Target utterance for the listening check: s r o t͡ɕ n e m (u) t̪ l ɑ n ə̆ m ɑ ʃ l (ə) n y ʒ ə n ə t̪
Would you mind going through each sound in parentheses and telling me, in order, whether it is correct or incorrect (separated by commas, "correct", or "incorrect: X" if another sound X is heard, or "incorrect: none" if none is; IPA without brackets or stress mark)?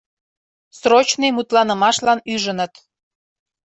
correct, incorrect: ɑ